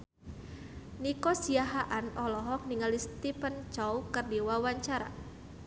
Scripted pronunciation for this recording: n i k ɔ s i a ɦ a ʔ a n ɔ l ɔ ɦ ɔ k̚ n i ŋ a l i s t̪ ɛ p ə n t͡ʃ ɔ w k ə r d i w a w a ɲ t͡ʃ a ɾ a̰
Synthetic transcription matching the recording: n i k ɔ s i a ɦ a ʔ a n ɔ l ɔ ɦ ɔ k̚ n i ŋ a l i s t̪ i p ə n t͡ʃ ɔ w k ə r d i w a w a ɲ t͡ʃ a ɾ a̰